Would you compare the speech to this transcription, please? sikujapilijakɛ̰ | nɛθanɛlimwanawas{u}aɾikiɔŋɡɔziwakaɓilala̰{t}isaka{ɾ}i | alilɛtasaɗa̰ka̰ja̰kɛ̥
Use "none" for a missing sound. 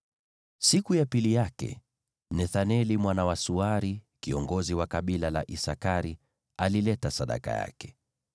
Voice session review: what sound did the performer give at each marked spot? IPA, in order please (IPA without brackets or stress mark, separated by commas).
u, ʔ, ɾ